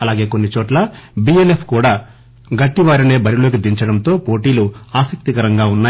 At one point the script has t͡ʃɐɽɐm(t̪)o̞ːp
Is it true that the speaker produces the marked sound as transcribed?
yes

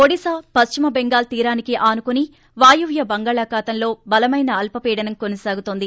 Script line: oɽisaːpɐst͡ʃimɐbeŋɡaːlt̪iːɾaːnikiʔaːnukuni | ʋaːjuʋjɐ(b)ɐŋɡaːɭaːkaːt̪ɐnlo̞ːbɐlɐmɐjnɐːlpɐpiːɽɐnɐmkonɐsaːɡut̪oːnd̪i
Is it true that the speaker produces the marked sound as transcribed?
yes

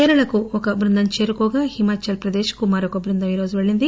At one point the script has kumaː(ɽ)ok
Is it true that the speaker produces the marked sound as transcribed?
no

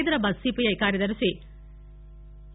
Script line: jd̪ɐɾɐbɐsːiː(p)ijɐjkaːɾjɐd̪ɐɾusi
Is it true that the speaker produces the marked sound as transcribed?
yes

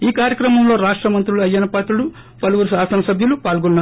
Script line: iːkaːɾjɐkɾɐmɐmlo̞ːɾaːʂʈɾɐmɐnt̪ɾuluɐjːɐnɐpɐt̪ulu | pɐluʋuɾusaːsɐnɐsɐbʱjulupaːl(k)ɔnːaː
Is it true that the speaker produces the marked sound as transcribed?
no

